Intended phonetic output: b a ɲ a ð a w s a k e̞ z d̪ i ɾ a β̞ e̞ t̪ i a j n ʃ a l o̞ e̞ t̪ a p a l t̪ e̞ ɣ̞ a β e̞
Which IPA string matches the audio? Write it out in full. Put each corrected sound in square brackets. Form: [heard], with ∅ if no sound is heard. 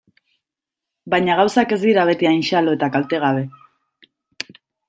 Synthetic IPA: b a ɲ a [ɣ] a w s a k e̞ z d̪ i ɾ a β̞ e̞ t̪ i a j n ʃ a l o̞ e̞ t̪ a [k] a l t̪ e̞ ɣ̞ a β e̞